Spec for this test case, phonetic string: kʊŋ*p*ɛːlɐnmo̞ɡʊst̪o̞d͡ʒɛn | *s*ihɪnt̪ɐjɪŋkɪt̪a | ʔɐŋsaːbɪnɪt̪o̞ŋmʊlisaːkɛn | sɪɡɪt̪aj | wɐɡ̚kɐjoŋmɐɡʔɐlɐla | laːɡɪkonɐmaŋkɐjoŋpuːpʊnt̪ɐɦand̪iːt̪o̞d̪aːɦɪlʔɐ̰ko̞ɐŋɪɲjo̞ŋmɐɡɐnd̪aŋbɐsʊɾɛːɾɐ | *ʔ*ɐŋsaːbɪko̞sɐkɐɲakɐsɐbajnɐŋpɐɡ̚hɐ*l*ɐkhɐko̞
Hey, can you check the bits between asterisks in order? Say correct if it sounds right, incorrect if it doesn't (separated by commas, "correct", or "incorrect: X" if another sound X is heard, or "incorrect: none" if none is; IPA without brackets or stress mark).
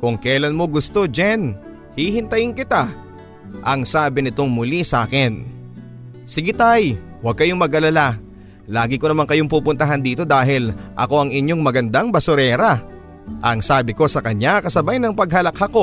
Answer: incorrect: k, incorrect: h, correct, correct